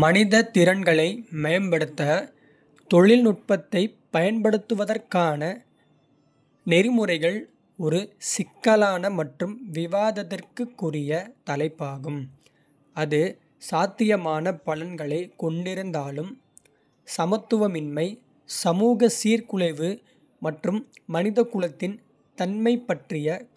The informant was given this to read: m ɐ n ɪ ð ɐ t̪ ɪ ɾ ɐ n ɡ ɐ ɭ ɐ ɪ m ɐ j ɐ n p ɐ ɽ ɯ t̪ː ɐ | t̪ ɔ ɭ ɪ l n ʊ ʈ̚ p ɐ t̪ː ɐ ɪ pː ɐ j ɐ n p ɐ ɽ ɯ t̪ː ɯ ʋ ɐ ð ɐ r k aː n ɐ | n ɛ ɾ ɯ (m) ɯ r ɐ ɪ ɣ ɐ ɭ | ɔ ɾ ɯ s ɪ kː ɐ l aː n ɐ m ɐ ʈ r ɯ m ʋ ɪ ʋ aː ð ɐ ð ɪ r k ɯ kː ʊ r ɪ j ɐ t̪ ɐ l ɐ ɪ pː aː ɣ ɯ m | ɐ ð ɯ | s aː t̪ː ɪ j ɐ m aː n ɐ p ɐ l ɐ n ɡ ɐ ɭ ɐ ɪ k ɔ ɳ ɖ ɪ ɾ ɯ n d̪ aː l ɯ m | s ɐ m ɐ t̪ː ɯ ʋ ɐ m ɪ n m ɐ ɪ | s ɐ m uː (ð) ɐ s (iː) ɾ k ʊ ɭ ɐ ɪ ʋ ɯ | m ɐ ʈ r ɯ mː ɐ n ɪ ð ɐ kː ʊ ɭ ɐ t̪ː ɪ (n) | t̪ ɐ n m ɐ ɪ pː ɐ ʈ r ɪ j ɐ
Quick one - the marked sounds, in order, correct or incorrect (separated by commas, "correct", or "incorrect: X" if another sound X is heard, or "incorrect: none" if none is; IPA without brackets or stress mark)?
correct, incorrect: ɣ, correct, correct